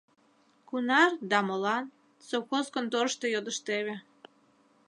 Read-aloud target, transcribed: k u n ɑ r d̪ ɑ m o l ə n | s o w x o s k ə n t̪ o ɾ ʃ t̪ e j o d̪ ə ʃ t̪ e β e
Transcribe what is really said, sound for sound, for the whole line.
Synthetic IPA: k u n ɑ r d̪ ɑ m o l ɑ n | s o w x o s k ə n t̪ o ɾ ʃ t̪ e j o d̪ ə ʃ t̪ e β e